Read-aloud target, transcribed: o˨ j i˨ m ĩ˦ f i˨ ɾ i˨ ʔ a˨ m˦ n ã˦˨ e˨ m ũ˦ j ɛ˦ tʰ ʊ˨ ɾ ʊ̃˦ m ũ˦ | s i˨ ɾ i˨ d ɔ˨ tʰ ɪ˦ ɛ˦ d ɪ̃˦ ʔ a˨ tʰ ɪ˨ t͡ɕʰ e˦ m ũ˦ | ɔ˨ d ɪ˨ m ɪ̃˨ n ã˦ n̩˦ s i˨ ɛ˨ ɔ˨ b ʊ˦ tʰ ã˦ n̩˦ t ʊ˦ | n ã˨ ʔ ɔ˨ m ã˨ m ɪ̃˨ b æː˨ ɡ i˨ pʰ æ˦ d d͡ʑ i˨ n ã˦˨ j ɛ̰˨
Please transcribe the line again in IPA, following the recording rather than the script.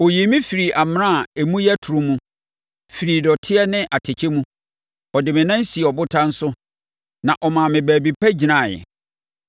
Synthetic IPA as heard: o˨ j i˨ m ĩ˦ f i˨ ɾ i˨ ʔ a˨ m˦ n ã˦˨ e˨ m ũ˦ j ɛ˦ tʰ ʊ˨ ɾ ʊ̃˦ m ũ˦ | f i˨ ɾ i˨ d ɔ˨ tʰ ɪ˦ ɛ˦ n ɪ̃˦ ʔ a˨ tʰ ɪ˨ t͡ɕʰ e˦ m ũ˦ | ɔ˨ d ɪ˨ m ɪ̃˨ n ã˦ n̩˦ s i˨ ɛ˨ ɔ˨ b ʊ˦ tʰ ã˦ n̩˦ s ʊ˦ | n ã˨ ʔ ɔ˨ m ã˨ m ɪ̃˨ b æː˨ b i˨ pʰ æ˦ d͡ʑ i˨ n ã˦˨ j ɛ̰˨